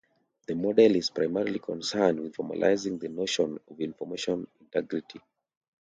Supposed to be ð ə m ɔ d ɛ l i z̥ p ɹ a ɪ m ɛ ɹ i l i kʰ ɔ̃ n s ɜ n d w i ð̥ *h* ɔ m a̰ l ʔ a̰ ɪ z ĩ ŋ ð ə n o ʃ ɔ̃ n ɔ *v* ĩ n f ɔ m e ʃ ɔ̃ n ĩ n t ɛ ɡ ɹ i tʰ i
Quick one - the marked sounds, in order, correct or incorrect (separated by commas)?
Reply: incorrect, correct